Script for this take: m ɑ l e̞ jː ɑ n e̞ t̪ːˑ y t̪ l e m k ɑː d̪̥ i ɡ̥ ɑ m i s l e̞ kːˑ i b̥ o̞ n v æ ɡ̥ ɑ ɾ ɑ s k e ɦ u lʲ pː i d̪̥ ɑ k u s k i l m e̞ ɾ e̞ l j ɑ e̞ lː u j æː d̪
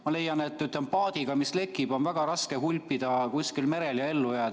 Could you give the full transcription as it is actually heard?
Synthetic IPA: m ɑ l e̞ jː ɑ n e̞ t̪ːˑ y t̪ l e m p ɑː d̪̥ i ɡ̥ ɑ m i s l e̞ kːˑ i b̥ o̞ n v æ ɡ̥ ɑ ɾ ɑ s k e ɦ u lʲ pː i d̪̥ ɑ k u s k i l m e̞ ɾ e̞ l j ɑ e̞ lː u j æː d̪